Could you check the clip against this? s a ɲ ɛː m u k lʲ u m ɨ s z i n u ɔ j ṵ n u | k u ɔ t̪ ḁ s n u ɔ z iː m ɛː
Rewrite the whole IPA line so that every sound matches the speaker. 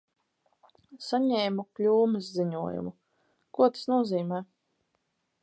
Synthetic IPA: s a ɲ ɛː m u k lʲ uː m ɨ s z i ɲ u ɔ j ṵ m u | k u ɔ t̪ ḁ s n u ɔ z iː m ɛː

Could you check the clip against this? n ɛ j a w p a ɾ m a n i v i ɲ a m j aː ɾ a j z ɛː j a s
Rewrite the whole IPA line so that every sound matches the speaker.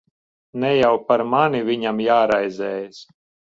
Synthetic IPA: n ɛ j a w p a ɾ m a n i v i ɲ a m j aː ɾ a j z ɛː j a s

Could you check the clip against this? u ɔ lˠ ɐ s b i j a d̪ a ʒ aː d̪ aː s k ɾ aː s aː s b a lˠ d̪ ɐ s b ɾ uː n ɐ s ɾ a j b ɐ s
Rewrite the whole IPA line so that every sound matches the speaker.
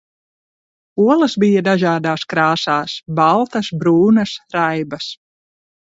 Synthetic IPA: u ɔ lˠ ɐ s b i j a d̪ a ʒ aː d̪ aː s k ɾ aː s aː s b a lˠ t̪ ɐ s b ɾ uː n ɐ s ɾ a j b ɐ s

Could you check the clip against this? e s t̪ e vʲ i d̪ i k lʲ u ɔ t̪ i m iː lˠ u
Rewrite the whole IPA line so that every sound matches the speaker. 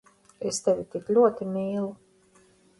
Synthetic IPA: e s t̪ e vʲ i t̪ i k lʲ u ɔ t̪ i m iː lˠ u

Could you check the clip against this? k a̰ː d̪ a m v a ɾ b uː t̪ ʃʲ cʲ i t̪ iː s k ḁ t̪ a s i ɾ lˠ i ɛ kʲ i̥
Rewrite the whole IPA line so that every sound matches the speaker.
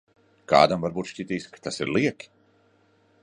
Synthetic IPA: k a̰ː d̪ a m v a ɾ b uː t̪ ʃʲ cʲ i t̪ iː s k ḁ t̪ a s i ɾ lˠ i ɛ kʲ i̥

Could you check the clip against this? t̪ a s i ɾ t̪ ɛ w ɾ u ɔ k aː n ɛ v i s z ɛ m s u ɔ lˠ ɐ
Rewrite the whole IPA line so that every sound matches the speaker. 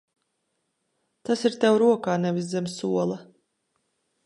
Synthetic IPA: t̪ a s i ɾ t̪ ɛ w ɾ u ɔ k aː n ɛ v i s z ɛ m s u ɔ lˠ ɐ

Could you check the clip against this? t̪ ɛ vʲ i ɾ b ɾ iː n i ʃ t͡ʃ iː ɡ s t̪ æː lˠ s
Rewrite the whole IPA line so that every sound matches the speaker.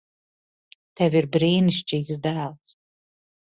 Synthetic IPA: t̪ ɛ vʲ i ɾ b ɾ iː n i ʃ t͡ʃ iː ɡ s d̪ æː lˠ s

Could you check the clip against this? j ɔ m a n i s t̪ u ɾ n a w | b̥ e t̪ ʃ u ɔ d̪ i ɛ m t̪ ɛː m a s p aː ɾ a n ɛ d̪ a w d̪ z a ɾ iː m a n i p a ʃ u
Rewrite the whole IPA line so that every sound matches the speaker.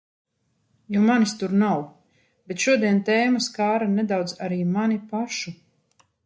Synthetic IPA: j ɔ m a n i s t̪ u ɾ n a w | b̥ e t̪ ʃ u ɔ d̪ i ɛ n t̪ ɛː m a s k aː ɾ a n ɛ d̪ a w d̪ z a ɾ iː m a n i p a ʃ u

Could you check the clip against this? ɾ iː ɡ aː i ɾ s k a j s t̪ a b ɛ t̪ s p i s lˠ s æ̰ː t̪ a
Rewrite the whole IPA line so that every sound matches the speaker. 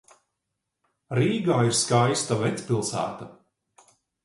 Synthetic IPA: ɾ iː ɡ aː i ɾ s k a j s t̪ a v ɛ t̪ s p i lˠ s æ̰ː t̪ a

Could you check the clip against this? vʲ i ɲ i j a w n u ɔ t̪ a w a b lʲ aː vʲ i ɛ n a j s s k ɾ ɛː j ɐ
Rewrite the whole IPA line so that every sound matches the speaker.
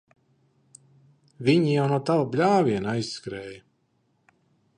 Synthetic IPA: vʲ i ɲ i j a w n u ɔ t̪ a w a b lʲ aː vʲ i ɛ n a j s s k ɾ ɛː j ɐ

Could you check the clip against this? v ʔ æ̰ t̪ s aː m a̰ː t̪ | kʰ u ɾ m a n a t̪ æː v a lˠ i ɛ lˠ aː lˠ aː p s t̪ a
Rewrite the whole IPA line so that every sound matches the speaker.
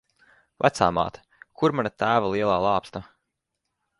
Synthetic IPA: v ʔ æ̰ t̪ s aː m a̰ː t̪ | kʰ u ɾ m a n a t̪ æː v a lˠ i ɛ lˠ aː lˠ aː p s t̪ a

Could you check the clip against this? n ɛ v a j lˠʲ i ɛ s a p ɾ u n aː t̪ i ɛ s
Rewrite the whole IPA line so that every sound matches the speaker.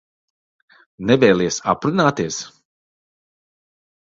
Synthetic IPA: n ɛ v ɛ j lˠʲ i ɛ s a p ɾ u n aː t̪ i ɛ s

